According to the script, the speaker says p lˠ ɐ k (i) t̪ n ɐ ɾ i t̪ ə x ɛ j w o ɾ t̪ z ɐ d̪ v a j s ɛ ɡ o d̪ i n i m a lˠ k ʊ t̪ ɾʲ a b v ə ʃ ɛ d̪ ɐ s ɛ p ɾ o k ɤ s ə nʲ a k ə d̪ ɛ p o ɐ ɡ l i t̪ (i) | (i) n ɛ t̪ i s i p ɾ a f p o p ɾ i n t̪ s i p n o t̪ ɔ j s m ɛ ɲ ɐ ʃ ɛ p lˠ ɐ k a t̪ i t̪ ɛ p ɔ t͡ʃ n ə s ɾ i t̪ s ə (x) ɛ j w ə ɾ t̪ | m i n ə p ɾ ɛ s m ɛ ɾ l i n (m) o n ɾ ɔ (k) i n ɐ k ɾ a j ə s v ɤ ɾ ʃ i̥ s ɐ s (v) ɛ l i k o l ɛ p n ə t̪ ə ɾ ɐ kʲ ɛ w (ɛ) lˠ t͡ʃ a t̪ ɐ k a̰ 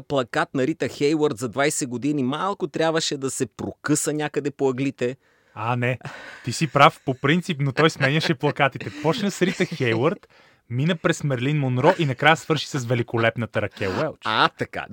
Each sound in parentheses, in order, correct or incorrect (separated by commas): incorrect, incorrect, incorrect, correct, correct, incorrect, correct, correct